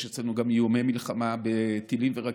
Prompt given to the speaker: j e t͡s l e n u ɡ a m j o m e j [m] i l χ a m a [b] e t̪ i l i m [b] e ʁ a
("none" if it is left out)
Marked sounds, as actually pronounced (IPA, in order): m, b, v

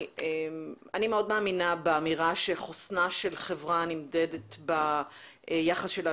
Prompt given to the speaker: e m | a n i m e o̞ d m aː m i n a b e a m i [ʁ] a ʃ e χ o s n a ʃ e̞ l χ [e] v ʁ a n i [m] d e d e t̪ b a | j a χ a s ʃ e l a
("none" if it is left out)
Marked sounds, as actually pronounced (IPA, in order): ʁ, e, m

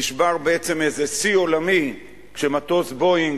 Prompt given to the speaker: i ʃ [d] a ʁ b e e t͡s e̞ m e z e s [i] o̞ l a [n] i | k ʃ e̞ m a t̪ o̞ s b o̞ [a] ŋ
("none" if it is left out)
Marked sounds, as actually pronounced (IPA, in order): b, i, m, i

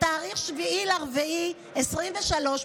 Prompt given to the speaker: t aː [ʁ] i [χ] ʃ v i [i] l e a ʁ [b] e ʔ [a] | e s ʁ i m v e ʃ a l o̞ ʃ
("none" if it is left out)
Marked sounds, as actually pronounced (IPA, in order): ʁ, χ, i, v, i

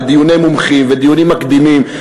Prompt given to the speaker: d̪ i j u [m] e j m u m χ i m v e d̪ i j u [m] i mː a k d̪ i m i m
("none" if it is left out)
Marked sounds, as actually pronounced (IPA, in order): n, n

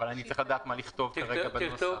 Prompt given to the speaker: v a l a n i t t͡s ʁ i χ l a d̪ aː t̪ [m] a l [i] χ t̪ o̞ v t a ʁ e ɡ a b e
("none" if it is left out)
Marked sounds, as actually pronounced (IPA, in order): m, i

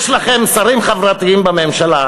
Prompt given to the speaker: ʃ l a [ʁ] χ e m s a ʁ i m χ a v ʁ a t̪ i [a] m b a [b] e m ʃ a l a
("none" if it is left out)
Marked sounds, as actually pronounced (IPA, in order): none, i, m

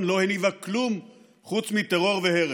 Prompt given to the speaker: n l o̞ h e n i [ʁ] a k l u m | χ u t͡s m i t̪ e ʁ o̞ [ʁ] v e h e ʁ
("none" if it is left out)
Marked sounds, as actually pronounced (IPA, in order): v, ʁ

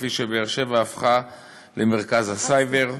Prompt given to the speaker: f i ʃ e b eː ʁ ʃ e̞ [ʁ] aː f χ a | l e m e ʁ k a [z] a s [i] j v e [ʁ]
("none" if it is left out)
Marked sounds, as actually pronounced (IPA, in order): v, z, a, ʁ

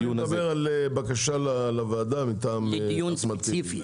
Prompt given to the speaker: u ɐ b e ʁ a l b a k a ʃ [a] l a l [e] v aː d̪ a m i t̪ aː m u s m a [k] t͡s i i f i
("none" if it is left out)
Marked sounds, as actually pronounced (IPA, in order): a, a, none

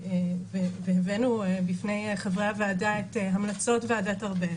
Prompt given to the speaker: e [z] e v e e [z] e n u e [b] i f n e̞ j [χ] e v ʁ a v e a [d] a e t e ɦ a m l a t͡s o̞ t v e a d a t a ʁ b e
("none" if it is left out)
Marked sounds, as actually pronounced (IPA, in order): v, v, b, χ, d

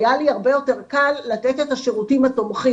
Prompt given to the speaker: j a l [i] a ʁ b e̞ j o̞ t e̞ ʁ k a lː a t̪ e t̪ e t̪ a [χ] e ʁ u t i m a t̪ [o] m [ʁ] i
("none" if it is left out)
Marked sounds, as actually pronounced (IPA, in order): i, ʃ, o, χ

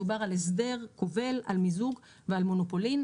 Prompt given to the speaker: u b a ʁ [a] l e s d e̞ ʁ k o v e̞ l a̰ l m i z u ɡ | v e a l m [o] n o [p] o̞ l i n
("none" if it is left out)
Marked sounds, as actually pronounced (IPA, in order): a, o, p

